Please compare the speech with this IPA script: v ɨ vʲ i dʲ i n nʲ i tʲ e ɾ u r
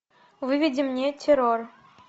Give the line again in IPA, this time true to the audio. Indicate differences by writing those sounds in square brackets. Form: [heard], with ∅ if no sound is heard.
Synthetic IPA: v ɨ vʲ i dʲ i [m] nʲ [e] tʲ e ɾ [o] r

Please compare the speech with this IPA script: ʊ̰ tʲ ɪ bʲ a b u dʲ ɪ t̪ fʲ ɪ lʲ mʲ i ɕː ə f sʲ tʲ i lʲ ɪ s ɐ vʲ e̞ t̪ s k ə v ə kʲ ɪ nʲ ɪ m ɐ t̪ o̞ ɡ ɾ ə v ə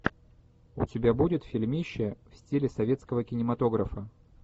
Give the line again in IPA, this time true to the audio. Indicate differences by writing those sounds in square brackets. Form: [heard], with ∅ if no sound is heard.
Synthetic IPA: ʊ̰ tʲ ɪ bʲ a b u dʲ ɪ t̪ fʲ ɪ lʲ mʲ i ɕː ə f sʲ tʲ i lʲ ɪ s ɐ vʲ e̞ t̪ s k ə v ə kʲ ɪ nʲ ɪ m ɐ t̪ o̞ ɡ ɾ ə [f] ə

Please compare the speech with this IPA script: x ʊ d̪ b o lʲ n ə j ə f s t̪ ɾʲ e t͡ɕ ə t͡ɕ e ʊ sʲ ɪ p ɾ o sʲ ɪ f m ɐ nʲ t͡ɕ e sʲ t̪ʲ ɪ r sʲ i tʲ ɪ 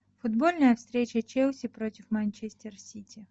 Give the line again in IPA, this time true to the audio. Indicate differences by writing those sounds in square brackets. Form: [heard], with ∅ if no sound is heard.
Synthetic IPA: [f] ʊ d̪ b o lʲ n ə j ə f s t̪ ɾʲ e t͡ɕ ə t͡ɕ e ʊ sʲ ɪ p ɾ o [tʲ] ɪ f m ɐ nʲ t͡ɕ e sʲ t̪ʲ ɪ r sʲ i tʲ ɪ

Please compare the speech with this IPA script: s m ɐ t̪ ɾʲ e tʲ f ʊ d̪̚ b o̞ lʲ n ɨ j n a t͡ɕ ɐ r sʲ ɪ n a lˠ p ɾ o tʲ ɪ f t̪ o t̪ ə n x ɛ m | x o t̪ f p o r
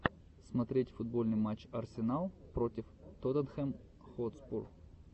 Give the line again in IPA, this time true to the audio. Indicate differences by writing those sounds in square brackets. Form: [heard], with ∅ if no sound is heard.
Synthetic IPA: s m ɐ t̪ ɾʲ e tʲ f ʊ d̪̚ b o̞ lʲ n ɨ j [m] a t͡ɕ ɐ r sʲ ɪ n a lˠ p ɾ o tʲ ɪ f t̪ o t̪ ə n x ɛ m | x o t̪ [s] p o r

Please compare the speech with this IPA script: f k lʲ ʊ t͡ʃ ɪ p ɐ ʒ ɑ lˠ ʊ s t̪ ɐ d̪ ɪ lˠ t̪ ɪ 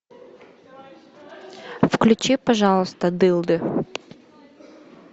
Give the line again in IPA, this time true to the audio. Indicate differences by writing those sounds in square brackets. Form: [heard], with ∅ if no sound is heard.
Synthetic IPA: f k lʲ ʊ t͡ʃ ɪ p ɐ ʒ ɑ lˠ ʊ s t̪ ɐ d̪ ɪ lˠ [d̪] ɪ

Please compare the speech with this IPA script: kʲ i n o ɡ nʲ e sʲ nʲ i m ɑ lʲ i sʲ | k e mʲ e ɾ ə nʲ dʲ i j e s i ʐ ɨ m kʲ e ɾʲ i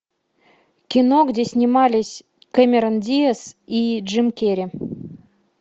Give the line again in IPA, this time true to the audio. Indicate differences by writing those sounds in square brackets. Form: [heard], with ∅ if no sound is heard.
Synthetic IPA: kʲ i n o ɡ [dʲ] e sʲ nʲ i m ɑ lʲ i sʲ | k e mʲ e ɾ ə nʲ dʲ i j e s i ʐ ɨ m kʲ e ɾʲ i

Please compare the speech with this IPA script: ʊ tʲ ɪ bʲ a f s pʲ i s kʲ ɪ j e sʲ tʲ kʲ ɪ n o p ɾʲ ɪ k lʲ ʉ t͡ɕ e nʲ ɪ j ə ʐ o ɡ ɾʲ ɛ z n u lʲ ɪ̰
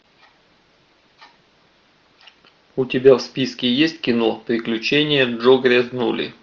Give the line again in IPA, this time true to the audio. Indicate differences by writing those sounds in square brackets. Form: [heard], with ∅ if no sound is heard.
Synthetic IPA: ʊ tʲ ɪ bʲ a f s pʲ i s kʲ ɪ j e sʲ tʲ kʲ ɪ n o p ɾʲ ɪ k lʲ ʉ t͡ɕ e nʲ ɪ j ə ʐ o ɡ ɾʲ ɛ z n u lʲ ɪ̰

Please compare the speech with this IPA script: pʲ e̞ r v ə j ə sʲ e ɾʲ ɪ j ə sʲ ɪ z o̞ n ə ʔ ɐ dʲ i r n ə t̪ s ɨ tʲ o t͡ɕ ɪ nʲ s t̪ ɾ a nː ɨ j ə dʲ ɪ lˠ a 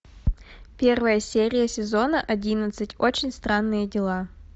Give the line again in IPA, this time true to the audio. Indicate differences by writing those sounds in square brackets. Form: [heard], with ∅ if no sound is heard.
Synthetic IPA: pʲ e̞ r v ə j ə sʲ e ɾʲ ɪ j ə sʲ ɪ z o̞ n ə ʔ ɐ dʲ i [∅] n ə t̪ s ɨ tʲ o t͡ɕ ɪ nʲ s t̪ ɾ a nː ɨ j ə dʲ ɪ lˠ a

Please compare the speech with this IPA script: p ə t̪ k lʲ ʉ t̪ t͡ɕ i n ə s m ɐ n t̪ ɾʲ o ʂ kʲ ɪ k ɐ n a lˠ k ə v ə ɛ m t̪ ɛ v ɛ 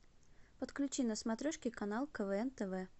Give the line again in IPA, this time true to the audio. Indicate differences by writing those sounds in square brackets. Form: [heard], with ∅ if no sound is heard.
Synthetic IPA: p ə t̪ k lʲ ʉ [∅] t͡ɕ i n ə s m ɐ [∅] t̪ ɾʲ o ʂ kʲ ɪ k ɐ n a lˠ k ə v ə ɛ [n] t̪ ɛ v ɛ

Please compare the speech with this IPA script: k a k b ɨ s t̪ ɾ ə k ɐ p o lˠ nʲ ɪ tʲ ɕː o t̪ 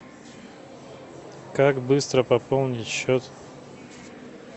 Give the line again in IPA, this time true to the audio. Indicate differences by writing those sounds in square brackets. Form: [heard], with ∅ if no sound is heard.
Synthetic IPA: k a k b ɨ s t̪ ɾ ə [p] ɐ p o lˠ nʲ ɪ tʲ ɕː o t̪

